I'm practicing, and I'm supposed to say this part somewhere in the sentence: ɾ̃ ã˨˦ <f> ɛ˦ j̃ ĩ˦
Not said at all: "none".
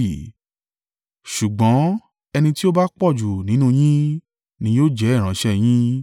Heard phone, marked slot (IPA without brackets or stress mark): ʃ